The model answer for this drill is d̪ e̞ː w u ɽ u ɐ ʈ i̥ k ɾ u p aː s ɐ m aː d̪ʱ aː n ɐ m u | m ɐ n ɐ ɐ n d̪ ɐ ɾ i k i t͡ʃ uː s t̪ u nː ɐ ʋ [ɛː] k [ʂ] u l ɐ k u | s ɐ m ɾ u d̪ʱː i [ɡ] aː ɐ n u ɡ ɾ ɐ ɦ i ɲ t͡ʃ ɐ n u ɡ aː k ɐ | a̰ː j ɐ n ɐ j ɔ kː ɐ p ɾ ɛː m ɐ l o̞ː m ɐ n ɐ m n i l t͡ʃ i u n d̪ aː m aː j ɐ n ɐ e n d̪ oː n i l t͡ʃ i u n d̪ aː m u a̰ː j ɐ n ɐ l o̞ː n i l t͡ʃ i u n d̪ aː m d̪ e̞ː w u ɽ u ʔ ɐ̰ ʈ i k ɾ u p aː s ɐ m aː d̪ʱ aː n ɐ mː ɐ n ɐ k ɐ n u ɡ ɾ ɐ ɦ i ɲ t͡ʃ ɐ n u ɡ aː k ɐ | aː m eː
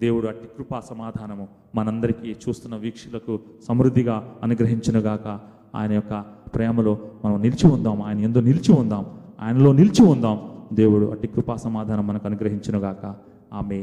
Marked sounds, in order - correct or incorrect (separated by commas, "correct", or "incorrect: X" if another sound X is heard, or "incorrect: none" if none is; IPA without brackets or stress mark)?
incorrect: iː, correct, correct